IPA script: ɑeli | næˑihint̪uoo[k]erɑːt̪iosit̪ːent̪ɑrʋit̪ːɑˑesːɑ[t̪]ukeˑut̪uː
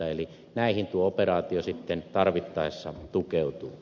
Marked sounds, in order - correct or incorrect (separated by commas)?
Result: incorrect, correct